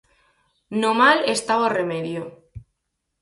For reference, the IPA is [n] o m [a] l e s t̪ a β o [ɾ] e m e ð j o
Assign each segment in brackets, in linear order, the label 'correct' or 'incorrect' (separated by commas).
correct, correct, incorrect